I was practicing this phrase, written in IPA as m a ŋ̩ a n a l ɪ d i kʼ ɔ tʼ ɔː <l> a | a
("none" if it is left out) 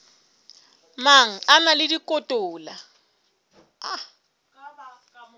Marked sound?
l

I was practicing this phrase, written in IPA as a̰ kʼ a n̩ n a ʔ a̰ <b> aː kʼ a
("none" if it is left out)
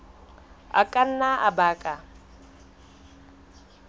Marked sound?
b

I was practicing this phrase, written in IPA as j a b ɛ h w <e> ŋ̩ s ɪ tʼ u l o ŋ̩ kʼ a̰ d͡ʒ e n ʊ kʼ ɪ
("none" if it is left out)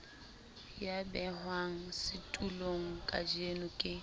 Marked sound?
a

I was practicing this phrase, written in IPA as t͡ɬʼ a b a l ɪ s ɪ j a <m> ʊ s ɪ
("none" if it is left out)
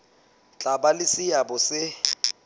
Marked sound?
b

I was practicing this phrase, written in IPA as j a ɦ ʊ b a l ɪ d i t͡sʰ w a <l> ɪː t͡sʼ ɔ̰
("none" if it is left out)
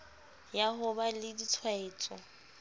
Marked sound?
none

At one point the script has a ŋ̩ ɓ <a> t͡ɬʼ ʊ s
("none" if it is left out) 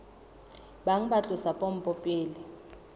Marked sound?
a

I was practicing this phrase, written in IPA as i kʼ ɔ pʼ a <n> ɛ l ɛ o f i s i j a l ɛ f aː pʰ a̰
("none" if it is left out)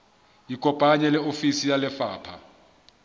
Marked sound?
ɲ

